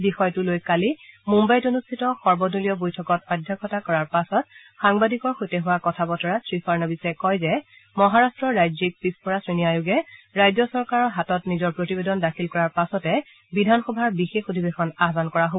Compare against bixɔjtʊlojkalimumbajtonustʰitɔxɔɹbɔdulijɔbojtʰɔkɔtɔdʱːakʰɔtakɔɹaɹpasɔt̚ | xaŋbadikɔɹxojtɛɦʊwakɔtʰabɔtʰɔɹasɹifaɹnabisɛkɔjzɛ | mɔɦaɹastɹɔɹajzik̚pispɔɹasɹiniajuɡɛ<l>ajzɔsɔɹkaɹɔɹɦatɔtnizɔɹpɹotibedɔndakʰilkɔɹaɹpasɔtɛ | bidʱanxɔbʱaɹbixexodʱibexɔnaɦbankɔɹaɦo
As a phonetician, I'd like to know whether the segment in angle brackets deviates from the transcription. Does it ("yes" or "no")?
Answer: yes